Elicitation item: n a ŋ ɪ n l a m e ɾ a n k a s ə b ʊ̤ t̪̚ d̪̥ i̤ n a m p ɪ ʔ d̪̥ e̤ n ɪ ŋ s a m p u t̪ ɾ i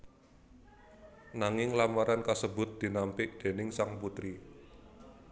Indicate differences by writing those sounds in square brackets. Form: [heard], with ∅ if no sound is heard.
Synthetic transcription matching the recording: n a ŋ ɪ [ŋ] l a m [a] ɾ a n k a s ə b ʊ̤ t̪̚ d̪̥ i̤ n a m p ɪ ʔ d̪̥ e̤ n ɪ ŋ s a [ŋ] p u t̪ ɾ i